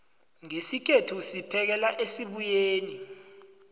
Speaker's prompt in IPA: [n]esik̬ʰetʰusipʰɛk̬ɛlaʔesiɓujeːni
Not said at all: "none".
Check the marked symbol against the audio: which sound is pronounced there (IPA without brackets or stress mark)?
ŋ